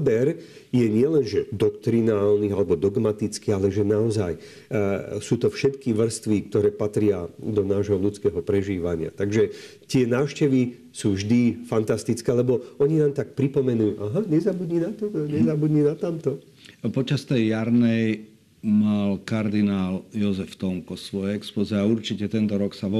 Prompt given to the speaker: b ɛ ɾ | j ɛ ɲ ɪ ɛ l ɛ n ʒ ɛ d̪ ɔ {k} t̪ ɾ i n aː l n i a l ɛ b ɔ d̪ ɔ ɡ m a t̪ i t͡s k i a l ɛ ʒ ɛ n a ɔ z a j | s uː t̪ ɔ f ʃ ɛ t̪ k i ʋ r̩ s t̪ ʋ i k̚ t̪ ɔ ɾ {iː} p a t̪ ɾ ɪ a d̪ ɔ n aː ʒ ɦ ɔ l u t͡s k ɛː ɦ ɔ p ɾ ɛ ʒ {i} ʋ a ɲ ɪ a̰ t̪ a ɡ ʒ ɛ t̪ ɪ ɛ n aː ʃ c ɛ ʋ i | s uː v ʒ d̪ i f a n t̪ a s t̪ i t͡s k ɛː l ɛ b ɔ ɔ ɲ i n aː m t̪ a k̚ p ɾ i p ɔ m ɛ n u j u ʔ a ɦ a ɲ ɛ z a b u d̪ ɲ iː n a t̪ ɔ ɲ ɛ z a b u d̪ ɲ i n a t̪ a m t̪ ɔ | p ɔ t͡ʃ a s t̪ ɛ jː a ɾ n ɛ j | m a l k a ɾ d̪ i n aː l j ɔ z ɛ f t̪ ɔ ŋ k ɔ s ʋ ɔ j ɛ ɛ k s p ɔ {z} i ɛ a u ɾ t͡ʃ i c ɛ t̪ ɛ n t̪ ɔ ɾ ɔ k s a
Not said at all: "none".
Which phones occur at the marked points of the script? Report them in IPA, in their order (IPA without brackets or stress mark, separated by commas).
k, ɛː, iː, z